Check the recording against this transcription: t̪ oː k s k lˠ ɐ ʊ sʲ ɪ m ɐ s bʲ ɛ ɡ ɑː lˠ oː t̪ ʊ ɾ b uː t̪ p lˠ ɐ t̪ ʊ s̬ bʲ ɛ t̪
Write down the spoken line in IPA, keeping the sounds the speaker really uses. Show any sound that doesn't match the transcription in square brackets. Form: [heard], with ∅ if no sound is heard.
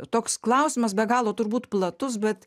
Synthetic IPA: t̪ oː k s k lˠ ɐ ʊ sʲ ɪ m ɐ s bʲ ɛ ɡ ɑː lˠ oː t̪ ʊ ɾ b uː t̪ p lˠ ɐ t̪ ʊ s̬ bʲ ɛ t̪